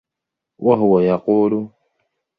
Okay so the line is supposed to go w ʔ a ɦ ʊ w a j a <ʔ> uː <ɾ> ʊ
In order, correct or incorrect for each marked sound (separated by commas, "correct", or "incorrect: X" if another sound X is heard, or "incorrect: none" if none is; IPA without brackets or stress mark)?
incorrect: q, incorrect: l